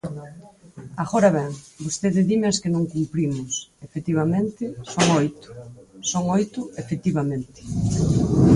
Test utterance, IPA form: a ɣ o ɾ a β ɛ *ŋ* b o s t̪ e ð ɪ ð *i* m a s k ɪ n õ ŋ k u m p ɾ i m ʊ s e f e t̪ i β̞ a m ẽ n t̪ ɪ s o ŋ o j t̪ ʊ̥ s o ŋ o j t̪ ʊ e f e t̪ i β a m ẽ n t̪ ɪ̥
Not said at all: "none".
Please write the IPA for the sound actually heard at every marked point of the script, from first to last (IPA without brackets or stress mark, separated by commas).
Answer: ŋ, i